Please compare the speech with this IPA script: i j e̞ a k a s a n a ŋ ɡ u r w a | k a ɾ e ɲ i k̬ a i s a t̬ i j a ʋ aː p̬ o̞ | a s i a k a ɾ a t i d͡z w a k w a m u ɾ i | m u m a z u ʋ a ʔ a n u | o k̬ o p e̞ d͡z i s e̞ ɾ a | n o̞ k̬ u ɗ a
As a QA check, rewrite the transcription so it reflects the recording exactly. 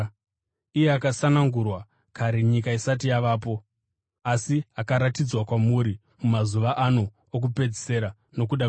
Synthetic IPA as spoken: i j e̞ a k a s a n a ŋ ɡ u r w a | k a ɾ e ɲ i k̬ a i s a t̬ i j a ʋ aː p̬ o̞ | a s i a k a ɾ a t i d͡z w a k w a m u ɾ i | m u m a z u ʋ a ʔ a n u | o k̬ u p e̞ d͡z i s e̞ ɾ a | n o̞ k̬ u ɗ a